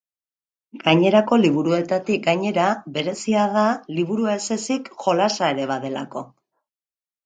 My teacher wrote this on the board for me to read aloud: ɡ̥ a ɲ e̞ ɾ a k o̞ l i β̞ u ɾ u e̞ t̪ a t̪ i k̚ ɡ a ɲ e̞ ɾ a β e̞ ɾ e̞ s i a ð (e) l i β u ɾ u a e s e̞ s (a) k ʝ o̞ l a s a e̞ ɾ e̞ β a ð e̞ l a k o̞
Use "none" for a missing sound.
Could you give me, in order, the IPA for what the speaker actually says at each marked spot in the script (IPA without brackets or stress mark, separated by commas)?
a, i